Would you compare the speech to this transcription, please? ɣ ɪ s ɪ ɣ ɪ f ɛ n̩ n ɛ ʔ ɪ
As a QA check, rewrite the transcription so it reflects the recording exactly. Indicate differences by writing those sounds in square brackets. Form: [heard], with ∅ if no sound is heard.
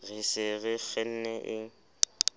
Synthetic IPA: ɣ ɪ s ɪ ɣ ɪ f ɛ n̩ n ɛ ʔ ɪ